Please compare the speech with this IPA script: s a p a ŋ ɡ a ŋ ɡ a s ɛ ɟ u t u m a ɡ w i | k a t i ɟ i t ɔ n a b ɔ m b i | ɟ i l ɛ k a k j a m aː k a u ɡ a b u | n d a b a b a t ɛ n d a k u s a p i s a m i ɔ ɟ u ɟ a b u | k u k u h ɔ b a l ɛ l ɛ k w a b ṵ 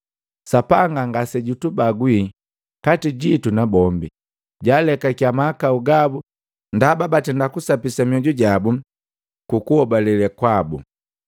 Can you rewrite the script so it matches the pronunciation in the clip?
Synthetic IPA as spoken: s a p a ŋ ɡ a ŋ ɡ a s ɛ ɟ u t u b a ɡ w i | k a t i ɟ i t u n a b ɔ m b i | ɟ a l ɛ k a k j a m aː k a u ɡ a b u | n d a b a b a t ɛ n d a k u s a p i s a m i ɔ ɟ u ɟ a b u | k u k u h ɔ b a l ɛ l ɛ k w a b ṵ